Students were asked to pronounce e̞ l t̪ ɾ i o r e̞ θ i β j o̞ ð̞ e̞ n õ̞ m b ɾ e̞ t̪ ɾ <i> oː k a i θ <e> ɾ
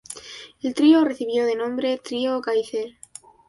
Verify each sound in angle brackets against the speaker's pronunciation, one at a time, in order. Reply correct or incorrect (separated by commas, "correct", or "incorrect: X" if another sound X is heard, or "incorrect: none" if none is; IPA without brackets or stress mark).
correct, correct